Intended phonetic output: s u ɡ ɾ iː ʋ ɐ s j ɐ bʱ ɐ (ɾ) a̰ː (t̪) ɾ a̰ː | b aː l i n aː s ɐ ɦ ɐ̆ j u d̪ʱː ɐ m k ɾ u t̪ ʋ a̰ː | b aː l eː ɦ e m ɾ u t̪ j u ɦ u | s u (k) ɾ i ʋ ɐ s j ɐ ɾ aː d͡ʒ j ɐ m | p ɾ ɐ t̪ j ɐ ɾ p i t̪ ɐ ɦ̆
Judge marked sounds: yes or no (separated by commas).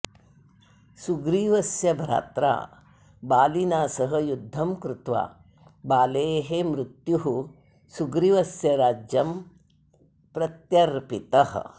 yes, yes, no